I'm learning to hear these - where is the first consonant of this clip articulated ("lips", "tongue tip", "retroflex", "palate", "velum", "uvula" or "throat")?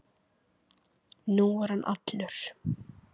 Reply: tongue tip